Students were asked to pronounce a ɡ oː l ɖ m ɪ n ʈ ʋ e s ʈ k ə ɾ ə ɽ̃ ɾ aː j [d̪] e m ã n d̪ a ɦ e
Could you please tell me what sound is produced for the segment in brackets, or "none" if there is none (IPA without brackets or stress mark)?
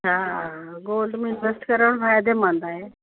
d̪